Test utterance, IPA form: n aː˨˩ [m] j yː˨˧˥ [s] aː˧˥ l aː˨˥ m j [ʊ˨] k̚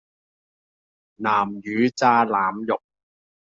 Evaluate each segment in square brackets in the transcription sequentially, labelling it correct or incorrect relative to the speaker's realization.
correct, incorrect: t͡s, correct

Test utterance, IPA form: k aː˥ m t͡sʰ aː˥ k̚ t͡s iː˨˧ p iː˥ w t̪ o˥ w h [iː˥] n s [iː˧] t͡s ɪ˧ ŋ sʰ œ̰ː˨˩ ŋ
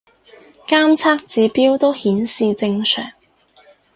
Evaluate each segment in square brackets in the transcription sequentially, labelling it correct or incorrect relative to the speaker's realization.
incorrect: iː˨˥, correct

